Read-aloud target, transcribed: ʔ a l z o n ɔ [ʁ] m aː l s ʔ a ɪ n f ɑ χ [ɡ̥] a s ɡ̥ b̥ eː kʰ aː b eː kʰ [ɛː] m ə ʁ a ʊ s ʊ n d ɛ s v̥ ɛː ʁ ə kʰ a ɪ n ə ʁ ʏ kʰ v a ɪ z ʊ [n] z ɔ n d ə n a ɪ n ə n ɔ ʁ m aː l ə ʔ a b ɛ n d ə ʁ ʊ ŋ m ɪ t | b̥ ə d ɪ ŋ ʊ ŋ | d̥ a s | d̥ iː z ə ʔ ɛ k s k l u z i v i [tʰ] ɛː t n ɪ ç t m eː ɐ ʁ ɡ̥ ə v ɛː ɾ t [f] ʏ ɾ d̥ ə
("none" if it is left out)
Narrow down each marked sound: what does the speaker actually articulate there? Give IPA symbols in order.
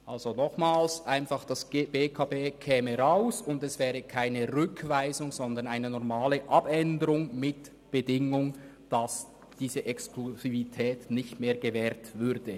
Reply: χ, d̥, ɛː, ŋ, tʰ, v

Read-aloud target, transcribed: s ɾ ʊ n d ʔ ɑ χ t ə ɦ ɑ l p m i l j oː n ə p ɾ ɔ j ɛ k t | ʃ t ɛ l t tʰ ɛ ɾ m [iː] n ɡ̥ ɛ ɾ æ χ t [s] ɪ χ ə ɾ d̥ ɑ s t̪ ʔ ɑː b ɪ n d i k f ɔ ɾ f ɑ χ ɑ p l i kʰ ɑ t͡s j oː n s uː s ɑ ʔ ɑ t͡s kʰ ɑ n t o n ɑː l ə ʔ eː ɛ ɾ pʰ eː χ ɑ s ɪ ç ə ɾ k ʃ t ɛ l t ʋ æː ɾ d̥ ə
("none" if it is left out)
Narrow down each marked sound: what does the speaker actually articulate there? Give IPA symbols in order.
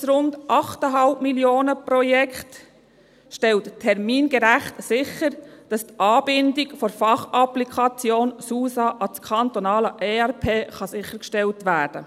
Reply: iː, s

